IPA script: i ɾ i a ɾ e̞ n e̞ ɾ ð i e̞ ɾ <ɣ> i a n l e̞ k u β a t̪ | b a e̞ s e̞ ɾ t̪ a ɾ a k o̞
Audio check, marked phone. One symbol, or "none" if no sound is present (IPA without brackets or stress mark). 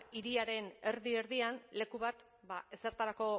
ð